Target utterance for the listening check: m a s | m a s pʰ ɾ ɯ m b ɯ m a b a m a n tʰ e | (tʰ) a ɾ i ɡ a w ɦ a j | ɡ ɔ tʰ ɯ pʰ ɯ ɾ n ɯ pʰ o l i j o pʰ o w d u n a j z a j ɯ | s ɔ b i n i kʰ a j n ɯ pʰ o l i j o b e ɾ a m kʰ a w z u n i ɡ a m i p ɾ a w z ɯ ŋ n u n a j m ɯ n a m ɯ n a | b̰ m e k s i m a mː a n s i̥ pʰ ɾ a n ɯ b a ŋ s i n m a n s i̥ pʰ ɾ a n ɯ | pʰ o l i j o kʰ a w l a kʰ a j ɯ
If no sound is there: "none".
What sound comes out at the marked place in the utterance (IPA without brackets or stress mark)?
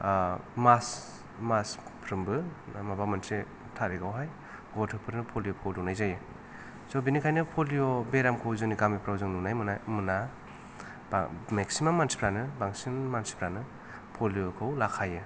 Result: tʰ